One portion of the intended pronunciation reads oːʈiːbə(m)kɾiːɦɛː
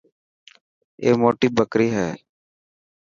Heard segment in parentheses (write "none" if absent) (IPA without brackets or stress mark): none